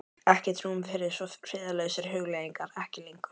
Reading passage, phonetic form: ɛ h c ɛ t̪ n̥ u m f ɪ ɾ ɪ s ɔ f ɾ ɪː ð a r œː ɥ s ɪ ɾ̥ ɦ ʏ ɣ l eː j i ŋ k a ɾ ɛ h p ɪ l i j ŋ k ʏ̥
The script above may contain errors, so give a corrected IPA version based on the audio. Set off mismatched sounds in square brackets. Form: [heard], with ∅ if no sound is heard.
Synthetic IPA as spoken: ɛ h c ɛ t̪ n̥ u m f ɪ ɾ ɪ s ɔ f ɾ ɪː ð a [l] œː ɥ s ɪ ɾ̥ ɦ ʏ ɣ l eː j i ŋ k a ɾ ɛ h [c] ɪ l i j ŋ k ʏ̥